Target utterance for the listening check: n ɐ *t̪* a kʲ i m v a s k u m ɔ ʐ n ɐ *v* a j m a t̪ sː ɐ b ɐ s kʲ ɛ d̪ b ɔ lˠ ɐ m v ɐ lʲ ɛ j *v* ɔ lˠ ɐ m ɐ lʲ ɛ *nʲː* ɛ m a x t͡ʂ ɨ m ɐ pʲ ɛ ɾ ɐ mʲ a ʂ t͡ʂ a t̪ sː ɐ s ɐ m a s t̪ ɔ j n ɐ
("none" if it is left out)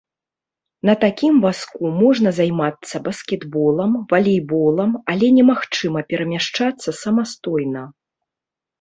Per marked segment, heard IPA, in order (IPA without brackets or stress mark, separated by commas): t̪, z, b, nʲ